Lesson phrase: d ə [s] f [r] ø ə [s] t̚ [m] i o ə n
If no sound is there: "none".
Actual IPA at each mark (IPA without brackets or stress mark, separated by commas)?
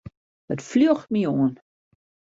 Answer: t, l, x, m